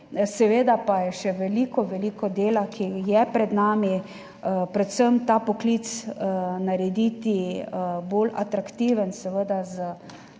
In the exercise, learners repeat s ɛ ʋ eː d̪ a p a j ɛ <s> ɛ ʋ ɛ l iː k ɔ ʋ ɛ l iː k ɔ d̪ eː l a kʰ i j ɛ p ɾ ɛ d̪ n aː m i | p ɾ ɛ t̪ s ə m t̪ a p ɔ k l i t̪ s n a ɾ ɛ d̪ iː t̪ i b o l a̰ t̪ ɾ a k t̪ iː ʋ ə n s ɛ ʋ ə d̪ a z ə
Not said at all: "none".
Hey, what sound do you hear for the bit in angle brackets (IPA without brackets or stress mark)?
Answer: ʃ